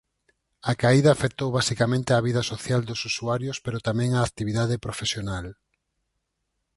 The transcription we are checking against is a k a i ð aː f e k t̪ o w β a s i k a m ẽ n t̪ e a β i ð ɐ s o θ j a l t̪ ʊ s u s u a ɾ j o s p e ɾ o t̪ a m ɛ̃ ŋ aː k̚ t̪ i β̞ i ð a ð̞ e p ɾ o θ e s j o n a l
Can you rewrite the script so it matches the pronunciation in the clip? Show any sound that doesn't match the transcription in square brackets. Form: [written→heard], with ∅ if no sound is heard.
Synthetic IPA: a k a i ð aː f e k t̪ o w β a s i k a m ẽ n t̪ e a β i ð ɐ s o θ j a l [t̪→d̪] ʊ s u s u a ɾ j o s p e ɾ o t̪ a m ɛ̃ ŋ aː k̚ t̪ i β̞ i ð a ð̞ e p ɾ o [θ→f] e s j o n a l